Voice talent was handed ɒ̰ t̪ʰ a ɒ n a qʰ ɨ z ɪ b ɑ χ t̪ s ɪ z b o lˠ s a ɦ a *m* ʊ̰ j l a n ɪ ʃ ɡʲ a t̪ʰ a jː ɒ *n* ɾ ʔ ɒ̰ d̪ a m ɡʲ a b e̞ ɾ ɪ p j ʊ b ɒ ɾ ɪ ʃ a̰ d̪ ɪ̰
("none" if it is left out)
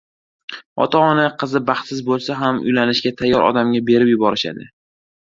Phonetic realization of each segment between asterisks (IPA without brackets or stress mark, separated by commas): m, none